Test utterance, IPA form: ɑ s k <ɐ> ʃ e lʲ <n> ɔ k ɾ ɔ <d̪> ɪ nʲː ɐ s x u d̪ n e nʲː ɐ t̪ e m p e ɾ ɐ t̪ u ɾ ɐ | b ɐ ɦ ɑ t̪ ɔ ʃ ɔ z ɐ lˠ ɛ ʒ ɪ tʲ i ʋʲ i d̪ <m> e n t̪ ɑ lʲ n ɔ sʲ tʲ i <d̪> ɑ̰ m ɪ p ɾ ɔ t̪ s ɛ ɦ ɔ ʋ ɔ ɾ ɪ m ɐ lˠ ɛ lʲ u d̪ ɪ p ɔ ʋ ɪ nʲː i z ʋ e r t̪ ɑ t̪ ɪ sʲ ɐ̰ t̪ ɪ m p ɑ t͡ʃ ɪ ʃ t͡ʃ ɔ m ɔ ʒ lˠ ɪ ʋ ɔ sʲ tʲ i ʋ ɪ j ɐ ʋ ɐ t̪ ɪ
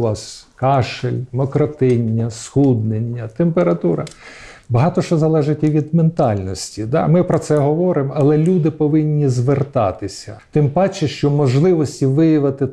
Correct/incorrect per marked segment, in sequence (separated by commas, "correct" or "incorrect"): incorrect, incorrect, incorrect, correct, correct